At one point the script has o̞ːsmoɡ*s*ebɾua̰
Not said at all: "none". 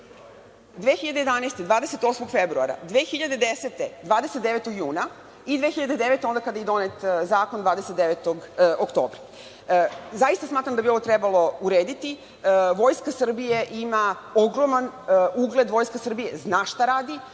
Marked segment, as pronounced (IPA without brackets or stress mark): f